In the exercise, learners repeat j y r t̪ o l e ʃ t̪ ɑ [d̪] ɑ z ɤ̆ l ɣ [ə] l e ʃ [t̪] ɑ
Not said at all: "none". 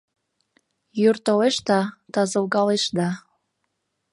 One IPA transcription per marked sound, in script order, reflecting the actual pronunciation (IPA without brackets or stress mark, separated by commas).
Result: t̪, ɑ, d̪